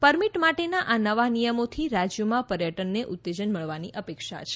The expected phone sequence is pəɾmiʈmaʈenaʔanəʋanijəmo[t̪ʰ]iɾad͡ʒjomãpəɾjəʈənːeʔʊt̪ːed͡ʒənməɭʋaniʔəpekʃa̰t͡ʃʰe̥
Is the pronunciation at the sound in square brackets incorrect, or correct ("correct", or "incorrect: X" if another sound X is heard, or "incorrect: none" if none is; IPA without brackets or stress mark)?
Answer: correct